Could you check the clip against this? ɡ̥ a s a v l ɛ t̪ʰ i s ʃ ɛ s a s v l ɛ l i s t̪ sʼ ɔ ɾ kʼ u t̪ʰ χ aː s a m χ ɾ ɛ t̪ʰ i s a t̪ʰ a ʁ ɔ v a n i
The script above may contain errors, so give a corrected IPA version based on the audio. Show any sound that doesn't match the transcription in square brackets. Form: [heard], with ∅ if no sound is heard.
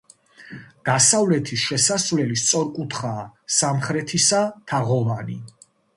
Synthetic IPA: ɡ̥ a s a v l ɛ t̪ʰ i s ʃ ɛ s a s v l ɛ l i s t̪ sʼ ɔ ɾ kʼ u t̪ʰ χ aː s a m χ ɾ ɛ t̪ʰ i s a t̪ʰ a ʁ ɔ v a n i